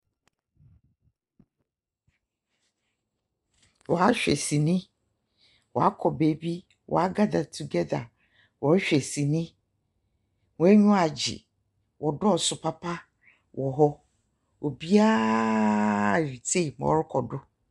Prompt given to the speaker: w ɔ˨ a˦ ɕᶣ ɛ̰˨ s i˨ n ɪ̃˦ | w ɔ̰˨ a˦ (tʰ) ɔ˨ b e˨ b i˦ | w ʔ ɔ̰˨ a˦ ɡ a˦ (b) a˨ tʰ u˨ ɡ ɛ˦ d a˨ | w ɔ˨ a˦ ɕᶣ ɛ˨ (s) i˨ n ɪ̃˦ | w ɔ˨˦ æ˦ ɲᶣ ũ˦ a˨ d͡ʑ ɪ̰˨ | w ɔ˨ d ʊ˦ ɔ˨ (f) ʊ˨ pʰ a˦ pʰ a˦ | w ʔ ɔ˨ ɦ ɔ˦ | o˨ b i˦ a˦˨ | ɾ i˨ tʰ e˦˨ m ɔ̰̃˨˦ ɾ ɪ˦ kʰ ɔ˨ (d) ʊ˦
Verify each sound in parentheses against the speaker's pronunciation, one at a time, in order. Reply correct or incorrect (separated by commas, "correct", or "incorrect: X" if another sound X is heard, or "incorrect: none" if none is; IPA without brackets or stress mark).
incorrect: kʰ, incorrect: d, correct, incorrect: s, correct